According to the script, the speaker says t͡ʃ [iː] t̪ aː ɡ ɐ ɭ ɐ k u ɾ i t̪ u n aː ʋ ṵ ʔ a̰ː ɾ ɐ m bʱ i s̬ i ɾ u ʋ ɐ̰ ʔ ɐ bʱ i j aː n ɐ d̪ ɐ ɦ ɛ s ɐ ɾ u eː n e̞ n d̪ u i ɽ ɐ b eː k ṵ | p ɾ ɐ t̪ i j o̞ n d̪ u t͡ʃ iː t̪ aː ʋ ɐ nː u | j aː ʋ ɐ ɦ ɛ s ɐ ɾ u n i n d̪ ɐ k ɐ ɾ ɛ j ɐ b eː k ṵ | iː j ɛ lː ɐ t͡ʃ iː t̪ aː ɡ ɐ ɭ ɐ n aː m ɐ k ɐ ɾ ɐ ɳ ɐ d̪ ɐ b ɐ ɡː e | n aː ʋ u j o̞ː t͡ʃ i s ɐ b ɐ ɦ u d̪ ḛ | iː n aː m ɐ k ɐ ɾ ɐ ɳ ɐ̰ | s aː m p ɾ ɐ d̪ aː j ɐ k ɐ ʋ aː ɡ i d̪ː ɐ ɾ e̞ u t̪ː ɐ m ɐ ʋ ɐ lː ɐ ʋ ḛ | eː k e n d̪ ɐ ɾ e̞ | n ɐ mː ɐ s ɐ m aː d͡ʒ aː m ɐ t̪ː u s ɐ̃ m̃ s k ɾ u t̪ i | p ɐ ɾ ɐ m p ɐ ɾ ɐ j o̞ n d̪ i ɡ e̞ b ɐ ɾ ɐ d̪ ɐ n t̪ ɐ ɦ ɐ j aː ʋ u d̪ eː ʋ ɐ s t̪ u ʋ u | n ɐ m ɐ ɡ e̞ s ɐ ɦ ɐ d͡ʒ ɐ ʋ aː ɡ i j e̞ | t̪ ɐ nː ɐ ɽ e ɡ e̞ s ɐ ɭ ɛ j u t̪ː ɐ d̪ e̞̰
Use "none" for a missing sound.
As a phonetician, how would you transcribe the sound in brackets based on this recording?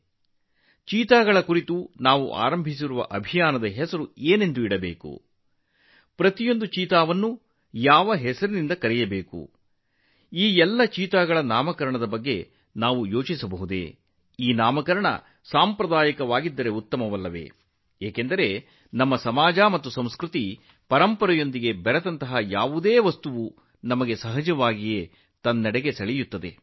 iː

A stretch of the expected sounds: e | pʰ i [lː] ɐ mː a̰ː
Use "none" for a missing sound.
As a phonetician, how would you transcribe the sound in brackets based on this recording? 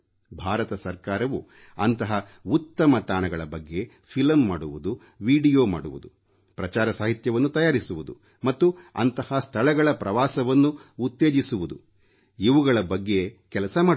l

